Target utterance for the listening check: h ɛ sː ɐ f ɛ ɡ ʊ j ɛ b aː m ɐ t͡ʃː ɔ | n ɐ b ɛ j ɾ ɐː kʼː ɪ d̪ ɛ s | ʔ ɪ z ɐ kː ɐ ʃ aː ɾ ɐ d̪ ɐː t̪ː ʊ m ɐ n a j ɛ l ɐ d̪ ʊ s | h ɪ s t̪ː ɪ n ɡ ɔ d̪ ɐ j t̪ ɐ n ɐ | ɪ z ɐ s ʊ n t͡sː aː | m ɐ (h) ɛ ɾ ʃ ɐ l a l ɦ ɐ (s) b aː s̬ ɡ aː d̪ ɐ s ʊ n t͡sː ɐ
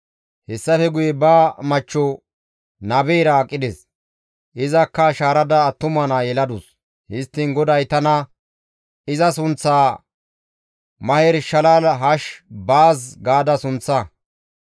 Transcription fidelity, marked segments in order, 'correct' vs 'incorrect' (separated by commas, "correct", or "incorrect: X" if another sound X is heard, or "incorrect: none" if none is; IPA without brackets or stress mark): correct, incorrect: ʃ